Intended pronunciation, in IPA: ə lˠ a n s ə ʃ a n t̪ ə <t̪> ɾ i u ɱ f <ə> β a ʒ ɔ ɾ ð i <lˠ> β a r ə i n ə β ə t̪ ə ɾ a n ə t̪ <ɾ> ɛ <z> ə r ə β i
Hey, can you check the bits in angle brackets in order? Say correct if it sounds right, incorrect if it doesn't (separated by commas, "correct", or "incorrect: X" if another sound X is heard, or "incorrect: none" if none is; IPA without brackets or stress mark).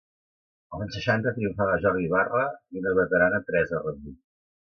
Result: correct, incorrect: a, incorrect: none, correct, correct